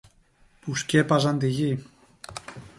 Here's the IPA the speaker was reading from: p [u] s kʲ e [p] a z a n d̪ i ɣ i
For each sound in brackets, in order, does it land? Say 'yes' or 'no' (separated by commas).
yes, yes